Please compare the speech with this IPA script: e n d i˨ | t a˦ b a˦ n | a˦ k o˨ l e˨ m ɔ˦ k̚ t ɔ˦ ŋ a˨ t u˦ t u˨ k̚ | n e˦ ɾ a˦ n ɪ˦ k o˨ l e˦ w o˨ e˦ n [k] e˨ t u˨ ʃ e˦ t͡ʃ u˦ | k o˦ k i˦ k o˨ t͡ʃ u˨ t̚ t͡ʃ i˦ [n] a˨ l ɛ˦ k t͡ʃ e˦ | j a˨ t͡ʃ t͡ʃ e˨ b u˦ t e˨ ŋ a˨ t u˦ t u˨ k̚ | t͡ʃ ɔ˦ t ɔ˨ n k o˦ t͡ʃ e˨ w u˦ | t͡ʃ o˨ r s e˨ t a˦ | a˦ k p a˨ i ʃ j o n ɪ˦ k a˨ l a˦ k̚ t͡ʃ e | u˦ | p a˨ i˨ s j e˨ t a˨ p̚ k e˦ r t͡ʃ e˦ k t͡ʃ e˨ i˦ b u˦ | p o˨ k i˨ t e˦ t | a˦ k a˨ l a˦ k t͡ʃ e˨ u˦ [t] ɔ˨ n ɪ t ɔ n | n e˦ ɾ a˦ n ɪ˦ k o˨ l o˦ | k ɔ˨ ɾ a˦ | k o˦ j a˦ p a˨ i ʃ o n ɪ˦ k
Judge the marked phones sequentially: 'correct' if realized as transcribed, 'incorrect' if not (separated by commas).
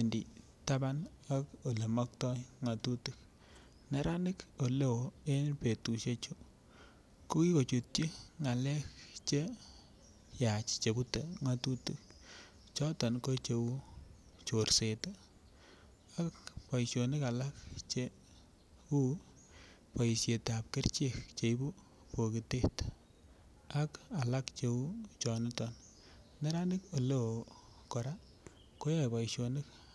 incorrect, incorrect, incorrect